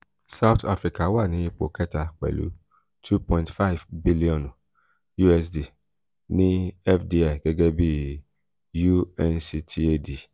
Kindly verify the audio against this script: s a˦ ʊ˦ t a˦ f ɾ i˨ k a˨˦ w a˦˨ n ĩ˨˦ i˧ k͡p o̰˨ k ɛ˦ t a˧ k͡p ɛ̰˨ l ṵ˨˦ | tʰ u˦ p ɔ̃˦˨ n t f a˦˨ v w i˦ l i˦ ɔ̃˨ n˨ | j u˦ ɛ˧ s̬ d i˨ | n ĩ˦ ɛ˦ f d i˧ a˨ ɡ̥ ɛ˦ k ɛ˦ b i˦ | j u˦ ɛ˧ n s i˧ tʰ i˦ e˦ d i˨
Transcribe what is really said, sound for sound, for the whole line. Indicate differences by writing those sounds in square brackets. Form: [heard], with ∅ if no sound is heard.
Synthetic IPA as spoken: s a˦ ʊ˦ t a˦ f ɾ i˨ k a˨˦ w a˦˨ n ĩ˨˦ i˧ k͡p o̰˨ k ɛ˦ t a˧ k͡p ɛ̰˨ l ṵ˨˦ | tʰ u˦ p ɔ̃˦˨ n t f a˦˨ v [b] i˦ l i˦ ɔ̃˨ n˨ | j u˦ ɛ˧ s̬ d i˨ | n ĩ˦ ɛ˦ f d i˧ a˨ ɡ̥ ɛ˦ [ɡ] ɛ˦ b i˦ | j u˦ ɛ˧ n s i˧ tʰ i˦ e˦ d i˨

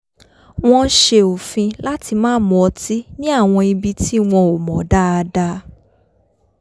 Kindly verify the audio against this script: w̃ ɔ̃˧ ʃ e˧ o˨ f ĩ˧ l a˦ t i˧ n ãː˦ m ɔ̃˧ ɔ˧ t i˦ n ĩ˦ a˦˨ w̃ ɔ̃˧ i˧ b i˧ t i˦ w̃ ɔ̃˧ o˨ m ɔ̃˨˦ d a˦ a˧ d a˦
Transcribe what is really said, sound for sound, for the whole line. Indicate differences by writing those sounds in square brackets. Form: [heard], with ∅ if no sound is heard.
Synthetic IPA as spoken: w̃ ɔ̃˧ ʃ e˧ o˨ f ĩ˧ l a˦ t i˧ [m] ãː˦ m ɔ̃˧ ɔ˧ t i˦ n ĩ˦ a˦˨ w̃ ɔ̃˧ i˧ b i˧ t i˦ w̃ ɔ̃˧ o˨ m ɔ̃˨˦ d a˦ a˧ d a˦

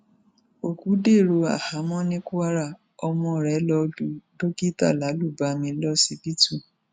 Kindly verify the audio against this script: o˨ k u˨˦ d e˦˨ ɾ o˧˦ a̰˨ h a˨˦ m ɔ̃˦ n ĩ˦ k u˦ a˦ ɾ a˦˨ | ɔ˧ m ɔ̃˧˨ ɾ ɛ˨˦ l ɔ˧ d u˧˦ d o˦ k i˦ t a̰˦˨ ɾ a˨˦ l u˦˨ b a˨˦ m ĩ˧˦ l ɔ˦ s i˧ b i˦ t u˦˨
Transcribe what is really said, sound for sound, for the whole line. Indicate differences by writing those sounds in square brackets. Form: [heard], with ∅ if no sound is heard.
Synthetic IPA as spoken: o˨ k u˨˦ d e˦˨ ɾ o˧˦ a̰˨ h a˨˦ m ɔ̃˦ n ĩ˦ k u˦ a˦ ɾ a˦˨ | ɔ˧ m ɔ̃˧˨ ɾ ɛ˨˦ l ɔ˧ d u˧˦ d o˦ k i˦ t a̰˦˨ [l] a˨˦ l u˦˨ b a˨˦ m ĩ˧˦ l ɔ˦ s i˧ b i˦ t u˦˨

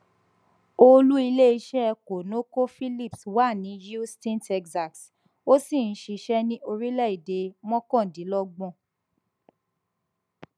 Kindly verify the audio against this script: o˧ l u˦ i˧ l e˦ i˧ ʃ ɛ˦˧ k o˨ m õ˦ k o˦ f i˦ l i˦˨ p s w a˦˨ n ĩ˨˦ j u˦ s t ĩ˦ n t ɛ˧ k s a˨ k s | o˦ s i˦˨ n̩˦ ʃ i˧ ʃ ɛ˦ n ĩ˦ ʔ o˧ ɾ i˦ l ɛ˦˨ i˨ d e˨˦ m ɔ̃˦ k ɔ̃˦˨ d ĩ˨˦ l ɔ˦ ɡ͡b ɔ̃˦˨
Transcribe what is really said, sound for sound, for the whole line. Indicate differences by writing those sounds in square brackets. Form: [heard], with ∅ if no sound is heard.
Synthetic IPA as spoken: o˧ l u˦ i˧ l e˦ i˧ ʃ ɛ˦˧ k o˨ [n] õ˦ k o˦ f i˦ l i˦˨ p s w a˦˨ n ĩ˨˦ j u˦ s t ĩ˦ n t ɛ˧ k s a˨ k s | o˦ s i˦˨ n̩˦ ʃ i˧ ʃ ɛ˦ n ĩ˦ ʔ o˧ ɾ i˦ l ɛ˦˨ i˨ d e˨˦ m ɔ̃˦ k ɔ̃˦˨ d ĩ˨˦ l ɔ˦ ɡ͡b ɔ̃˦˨

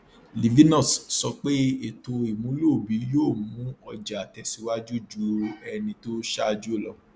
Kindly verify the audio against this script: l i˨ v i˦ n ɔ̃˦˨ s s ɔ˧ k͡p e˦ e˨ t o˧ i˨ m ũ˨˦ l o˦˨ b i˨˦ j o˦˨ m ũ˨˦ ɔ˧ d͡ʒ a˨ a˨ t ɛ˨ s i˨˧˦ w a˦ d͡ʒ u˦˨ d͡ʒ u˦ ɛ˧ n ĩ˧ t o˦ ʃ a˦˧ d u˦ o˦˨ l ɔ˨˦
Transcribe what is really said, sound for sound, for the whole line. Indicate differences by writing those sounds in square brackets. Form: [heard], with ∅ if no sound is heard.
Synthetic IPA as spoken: l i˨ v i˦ n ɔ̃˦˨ s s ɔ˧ k͡p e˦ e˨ t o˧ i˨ m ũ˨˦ l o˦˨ b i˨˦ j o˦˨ m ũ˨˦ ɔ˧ d͡ʒ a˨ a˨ t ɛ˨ s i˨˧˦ w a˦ d͡ʒ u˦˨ d͡ʒ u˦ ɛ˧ n ĩ˧ t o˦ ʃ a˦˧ [d͡ʒ] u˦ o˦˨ l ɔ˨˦

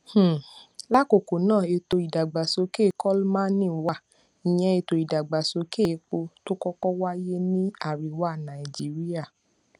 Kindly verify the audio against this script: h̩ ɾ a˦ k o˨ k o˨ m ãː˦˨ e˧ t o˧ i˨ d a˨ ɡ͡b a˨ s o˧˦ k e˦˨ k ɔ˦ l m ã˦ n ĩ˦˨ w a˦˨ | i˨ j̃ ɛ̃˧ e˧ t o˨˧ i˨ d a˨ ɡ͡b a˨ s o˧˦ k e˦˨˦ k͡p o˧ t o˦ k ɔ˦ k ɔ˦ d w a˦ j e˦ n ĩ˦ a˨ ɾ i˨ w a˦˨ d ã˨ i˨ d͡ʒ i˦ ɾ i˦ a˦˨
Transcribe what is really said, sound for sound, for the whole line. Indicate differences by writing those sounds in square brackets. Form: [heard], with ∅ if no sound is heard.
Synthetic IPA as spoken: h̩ [l] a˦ k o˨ k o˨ [n] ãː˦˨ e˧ t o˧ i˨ d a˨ ɡ͡b a˨ s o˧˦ k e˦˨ k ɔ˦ l m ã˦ n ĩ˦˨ w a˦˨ | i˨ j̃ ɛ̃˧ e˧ t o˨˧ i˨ d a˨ ɡ͡b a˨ s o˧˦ k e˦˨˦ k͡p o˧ t o˦ k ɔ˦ k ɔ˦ [∅] w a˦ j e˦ n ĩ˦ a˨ ɾ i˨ w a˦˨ [n] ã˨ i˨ d͡ʒ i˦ ɾ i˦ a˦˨

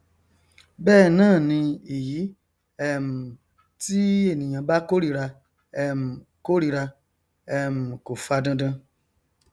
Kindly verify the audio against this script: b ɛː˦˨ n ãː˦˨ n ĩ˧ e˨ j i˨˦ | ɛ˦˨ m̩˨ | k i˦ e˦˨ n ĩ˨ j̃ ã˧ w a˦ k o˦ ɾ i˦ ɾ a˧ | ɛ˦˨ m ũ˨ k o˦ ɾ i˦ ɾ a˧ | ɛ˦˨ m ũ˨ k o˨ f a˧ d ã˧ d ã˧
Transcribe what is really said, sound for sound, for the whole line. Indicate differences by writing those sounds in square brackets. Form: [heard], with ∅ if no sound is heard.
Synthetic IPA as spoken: b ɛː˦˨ n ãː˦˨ n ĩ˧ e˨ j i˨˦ | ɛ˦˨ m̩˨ | [t] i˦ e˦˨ n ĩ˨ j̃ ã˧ [b] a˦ k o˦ ɾ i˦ ɾ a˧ | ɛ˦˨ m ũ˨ k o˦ ɾ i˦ ɾ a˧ | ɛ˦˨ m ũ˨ k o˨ f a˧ d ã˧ d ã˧

